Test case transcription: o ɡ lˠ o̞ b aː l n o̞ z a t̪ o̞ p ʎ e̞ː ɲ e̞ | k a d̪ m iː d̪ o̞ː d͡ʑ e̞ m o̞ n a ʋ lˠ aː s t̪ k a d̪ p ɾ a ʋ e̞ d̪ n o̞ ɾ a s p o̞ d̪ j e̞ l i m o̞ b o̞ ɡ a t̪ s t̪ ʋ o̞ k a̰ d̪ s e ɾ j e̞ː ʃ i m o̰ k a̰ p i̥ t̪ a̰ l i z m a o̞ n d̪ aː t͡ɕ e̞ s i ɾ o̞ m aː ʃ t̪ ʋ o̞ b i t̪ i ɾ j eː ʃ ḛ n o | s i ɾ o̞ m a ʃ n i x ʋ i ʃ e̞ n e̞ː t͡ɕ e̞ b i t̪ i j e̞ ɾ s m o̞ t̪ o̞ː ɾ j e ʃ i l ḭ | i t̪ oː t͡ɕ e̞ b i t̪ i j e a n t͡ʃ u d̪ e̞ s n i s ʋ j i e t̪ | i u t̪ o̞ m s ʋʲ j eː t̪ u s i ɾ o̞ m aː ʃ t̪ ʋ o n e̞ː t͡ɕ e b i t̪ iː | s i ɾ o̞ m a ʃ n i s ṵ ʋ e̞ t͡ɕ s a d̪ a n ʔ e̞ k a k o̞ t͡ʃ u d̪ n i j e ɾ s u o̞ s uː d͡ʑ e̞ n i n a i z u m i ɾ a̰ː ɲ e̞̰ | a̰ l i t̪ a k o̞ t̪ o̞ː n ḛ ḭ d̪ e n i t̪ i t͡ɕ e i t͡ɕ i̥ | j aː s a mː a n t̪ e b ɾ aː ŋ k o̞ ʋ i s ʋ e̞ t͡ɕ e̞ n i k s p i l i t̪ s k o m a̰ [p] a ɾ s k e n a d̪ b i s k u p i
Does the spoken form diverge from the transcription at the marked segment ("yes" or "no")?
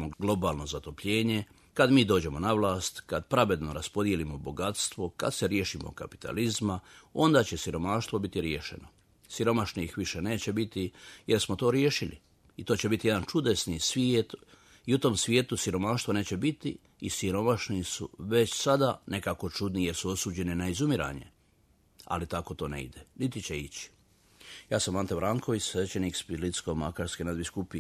yes